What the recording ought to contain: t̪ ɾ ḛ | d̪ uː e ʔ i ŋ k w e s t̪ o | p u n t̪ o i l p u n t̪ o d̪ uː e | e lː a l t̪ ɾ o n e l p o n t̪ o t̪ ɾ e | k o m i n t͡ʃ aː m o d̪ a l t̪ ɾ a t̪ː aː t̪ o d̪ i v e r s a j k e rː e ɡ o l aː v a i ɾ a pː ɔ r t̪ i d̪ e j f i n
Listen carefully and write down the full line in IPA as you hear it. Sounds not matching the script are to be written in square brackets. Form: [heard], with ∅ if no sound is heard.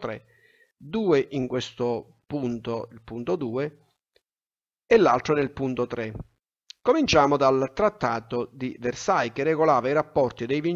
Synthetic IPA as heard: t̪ ɾ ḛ | d̪ uː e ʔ i ŋ k w e s t̪ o | p u n t̪ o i l p u n t̪ o d̪ uː e | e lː a l t̪ ɾ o n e l p [u] n t̪ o t̪ ɾ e | k o m i n t͡ʃ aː m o d̪ a l t̪ ɾ a t̪ː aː t̪ o d̪ i v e r s a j k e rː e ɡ o l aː v a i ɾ a pː ɔ r t̪ i d̪ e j [v] i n